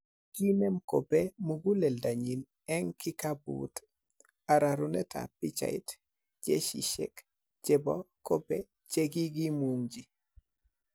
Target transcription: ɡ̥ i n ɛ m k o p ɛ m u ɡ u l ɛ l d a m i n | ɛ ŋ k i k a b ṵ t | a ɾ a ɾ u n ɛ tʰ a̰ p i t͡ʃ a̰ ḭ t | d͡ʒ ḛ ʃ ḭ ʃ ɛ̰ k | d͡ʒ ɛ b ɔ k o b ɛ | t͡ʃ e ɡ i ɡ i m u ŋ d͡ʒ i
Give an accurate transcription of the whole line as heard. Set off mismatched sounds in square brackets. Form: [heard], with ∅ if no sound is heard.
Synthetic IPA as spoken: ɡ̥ i n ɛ m k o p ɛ m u ɡ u l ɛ l d a [ɲ] i n | ɛ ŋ k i k a b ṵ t | a ɾ a ɾ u n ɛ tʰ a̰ p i t͡ʃ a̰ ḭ t | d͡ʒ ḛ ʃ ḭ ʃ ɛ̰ k | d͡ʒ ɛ b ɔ k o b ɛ | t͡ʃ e ɡ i ɡ i m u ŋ d͡ʒ i